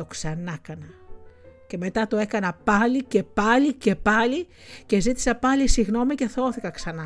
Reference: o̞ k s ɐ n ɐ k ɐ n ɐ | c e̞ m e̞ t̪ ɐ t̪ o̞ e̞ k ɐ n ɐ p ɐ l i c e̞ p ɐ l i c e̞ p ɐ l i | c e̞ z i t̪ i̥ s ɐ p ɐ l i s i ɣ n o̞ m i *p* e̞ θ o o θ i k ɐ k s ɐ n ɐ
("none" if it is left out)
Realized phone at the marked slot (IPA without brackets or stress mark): c